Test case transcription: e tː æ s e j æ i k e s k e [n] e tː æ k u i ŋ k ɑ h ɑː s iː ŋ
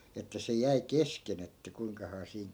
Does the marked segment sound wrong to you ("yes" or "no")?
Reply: no